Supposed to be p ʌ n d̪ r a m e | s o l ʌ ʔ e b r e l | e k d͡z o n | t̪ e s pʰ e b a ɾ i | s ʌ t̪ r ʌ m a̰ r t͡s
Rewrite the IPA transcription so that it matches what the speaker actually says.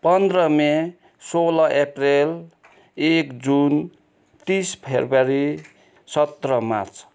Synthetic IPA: p ʌ n d̪ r ʌ m e | s o l ʌ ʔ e p r e l | e k d͡z u n | t̪ i s pʰ e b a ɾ i | s ʌ t̪ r ʌ m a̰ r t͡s